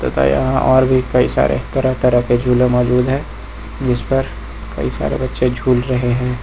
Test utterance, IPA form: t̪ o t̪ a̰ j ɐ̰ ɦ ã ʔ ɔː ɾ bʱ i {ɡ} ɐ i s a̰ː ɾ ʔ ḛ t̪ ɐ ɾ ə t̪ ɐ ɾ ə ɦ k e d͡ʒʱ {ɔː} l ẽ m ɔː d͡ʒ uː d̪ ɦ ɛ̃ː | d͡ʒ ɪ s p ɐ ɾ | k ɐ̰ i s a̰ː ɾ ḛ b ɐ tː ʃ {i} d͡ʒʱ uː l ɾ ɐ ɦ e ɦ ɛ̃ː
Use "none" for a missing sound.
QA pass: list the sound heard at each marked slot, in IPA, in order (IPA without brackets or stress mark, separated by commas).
k, uː, e